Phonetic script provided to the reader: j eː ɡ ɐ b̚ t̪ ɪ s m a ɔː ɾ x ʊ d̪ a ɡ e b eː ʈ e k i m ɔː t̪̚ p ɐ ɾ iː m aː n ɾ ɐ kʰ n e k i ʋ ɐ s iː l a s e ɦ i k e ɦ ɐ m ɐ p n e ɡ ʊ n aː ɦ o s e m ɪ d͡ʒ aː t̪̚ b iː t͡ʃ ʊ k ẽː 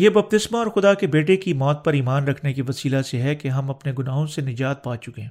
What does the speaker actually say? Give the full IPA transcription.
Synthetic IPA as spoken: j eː b ɐ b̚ t̪ ɪ s m a ɔː ɾ x ʊ d̪ a k e b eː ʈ e k i m ɔː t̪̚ p ɐ ɾ iː m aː n ɾ ɐ kʰ n e k i ʋ ɐ s iː l a s e ɦ ɛ k e ɦ ɐ m ɐ p n e ɡ ʊ n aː ɦ õ s e n ɪ d͡ʒ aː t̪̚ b aː t͡ʃ ʊ k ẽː